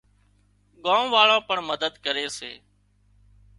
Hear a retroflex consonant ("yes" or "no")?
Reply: yes